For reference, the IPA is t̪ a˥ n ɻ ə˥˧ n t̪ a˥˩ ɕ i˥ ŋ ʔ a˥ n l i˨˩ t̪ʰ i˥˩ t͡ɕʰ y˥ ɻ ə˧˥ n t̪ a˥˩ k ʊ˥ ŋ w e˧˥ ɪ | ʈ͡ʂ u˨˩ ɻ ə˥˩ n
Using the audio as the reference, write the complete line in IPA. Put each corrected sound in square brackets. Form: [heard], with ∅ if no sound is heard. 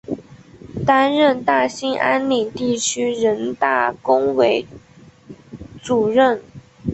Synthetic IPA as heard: t̪ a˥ n ɻ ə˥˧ n t̪ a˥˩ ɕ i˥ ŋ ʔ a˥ n l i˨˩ [t̪] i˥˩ t͡ɕʰ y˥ ɻ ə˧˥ n t̪ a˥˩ k ʊ˥ ŋ w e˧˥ ɪ | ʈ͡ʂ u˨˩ ɻ ə˥˩ n